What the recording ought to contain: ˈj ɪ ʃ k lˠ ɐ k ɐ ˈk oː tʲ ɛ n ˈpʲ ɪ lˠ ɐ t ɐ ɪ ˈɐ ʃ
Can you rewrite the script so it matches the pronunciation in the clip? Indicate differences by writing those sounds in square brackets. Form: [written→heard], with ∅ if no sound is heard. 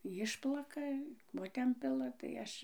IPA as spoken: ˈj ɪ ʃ [k→p] lˠ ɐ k ɐ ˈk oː tʲ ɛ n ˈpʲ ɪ lˠ ɐ t ɐ ɪ ˈɐ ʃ